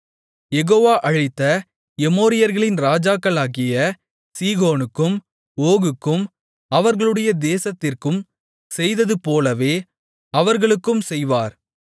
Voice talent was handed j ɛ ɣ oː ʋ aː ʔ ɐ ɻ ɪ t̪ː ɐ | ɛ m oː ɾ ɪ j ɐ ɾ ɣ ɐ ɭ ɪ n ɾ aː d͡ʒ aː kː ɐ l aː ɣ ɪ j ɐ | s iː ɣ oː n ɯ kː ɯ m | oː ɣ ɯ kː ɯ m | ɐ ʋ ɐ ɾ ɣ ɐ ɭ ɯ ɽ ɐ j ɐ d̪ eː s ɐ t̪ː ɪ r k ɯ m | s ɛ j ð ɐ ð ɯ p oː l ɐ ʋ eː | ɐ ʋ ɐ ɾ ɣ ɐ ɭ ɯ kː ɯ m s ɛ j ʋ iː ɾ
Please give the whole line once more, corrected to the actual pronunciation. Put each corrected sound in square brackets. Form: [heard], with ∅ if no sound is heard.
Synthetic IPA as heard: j ɛ ɣ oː ʋ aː ʔ ɐ ɻ ɪ t̪ː ɐ | ɛ m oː ɾ ɪ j ɐ ɾ ɣ ɐ ɭ ɪ n ɾ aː d͡ʒ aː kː ɐ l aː ɣ ɪ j ɐ | s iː ɣ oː n ɯ kː ɯ m | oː ɣ ɯ kː ɯ m | ɐ ʋ ɐ ɾ ɣ ɐ ɭ ɯ ɽ ɐ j ɐ d̪ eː s ɐ t̪ː ɪ r k ɯ m | s ɛ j ð ɐ ð ɯ p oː l ɐ ʋ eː | ɐ ʋ ɐ ɾ ɣ ɐ ɭ ɯ kː ɯ m s ɛ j ʋ [aː] ɾ